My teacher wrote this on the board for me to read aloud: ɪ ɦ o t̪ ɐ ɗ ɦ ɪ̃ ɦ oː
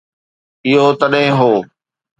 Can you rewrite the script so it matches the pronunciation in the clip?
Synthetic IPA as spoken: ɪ ɦ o t̪ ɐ ɗ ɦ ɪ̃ ɦ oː